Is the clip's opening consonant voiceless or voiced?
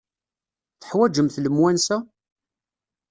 voiceless